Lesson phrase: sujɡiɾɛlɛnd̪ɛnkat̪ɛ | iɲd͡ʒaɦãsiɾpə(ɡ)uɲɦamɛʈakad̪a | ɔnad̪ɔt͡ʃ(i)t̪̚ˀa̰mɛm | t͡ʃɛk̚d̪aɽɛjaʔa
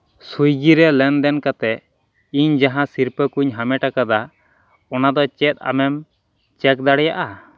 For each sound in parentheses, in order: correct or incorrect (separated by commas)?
incorrect, incorrect